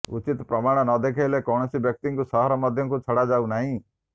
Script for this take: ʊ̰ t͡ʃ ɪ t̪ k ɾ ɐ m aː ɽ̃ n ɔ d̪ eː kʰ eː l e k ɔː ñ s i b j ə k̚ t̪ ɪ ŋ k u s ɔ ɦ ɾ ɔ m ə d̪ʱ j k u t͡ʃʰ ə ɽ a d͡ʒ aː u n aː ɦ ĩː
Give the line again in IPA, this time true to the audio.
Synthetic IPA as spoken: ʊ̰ t͡ʃ ɪ t̪ p ɾ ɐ m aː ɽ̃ n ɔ d̪ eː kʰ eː l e k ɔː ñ s i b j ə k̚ t̪ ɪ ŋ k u s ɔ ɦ ɾ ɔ m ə d̪ʱ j k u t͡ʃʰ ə ɽ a d͡ʒ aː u n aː ɦ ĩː